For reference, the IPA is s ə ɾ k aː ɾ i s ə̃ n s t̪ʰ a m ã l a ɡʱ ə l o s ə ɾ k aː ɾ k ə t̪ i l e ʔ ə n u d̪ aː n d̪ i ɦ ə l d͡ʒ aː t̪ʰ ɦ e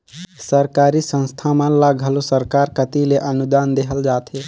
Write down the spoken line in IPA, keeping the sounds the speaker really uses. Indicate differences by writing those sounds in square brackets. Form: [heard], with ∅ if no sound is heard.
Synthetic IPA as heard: s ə ɾ k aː ɾ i s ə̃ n s t̪ʰ a m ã l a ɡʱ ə l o s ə ɾ k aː ɾ k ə t̪ i l e ʔ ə n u d̪ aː n d̪ [e] ɦ ə l d͡ʒ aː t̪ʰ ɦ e